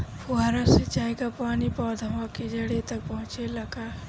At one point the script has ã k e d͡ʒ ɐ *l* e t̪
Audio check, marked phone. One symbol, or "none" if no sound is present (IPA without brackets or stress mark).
ɽ